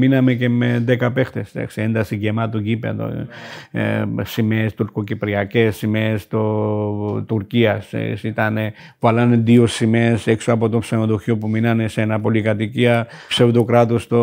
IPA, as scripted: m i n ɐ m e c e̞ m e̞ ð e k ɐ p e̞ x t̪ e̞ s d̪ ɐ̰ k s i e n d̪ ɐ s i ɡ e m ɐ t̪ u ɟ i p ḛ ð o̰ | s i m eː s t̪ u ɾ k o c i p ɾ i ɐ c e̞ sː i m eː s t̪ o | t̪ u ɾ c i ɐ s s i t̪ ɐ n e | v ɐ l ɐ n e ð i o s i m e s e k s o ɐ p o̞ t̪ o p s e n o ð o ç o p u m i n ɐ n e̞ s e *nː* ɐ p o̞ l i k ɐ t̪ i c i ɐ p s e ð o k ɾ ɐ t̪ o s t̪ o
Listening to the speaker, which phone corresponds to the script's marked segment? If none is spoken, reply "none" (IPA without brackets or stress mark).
n